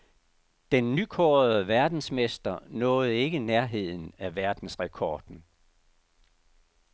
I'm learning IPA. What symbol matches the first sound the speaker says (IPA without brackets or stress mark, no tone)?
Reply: d̥